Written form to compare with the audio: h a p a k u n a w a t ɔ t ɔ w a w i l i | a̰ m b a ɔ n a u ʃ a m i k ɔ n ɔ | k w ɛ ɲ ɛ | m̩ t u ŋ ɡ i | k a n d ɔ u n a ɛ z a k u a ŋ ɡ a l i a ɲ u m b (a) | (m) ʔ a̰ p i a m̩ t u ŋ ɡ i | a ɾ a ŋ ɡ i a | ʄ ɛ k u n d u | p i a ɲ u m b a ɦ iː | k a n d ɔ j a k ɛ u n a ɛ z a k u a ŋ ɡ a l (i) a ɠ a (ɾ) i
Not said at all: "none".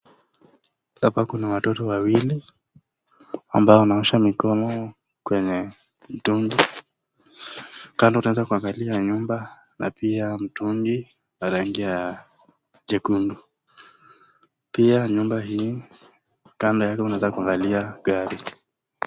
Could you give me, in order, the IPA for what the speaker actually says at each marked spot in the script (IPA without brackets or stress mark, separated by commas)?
a, n, i, ɾ